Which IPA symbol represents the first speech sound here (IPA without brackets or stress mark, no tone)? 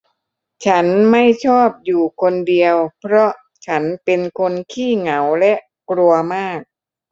t͡ɕʰ